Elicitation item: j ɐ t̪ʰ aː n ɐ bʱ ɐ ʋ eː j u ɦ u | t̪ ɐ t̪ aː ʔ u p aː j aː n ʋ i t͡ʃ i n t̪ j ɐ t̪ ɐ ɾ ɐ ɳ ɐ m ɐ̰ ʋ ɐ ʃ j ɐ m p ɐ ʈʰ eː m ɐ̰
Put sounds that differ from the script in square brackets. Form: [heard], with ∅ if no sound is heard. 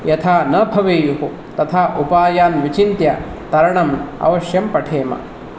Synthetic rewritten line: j ɐ t̪ʰ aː n ɐ bʱ ɐ ʋ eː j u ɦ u | t̪ ɐ [t̪ʰ] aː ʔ u p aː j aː n ʋ i t͡ʃ i n t̪ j ɐ t̪ ɐ ɾ ɐ ɳ ɐ m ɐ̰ ʋ ɐ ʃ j ɐ m p ɐ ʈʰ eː m ɐ̰